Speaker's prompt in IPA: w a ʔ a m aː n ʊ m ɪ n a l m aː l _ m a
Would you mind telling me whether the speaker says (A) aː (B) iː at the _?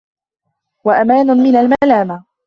A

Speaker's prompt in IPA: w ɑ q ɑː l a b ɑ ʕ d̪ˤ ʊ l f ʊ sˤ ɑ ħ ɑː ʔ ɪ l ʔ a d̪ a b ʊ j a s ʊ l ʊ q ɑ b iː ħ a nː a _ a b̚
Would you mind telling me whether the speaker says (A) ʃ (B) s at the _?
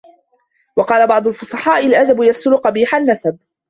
B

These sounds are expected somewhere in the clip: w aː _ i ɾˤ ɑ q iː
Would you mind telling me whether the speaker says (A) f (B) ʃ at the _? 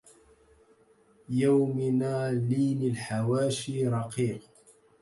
B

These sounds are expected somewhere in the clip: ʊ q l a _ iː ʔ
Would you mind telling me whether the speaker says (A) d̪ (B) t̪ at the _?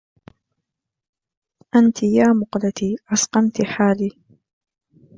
B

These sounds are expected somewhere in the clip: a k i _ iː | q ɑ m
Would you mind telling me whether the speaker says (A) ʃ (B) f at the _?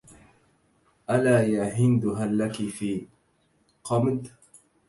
B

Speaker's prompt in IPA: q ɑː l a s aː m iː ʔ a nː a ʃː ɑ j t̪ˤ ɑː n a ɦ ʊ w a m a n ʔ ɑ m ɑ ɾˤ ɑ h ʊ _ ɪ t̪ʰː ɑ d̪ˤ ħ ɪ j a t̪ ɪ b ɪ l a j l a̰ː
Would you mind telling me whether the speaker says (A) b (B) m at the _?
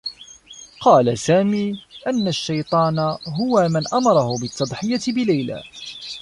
A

